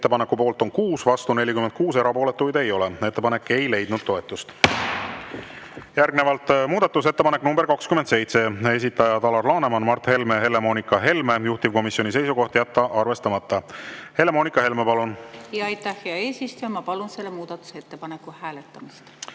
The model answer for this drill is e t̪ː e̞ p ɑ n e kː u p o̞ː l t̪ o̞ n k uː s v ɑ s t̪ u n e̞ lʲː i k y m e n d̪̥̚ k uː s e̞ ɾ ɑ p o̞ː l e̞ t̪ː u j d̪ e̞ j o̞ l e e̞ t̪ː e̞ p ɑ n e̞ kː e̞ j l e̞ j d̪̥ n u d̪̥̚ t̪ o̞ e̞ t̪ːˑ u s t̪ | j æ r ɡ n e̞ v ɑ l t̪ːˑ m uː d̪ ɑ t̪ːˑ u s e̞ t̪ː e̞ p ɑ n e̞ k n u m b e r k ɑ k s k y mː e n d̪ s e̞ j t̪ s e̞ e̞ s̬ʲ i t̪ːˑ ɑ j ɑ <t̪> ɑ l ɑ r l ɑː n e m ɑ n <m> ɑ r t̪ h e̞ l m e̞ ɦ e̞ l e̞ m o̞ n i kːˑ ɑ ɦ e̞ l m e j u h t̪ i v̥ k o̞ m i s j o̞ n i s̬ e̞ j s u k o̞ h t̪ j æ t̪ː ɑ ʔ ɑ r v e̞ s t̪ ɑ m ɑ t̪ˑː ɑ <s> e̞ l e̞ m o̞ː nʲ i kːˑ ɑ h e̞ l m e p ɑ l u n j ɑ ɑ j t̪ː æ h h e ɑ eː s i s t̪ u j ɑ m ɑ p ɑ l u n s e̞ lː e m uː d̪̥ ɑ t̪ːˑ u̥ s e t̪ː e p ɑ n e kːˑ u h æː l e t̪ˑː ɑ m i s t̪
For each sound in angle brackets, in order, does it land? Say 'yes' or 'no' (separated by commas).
yes, yes, no